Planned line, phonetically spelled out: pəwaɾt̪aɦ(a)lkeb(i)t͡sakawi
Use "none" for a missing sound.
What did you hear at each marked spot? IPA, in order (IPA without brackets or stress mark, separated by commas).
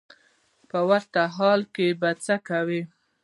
ɑ, a